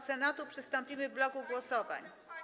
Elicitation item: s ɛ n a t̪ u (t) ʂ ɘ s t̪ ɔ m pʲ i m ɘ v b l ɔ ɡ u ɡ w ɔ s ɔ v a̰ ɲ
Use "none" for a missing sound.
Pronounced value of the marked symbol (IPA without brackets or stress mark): p